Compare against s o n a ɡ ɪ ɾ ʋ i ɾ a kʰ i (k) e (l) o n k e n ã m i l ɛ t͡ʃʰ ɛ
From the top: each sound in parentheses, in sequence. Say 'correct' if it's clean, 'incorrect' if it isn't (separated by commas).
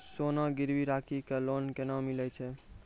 correct, correct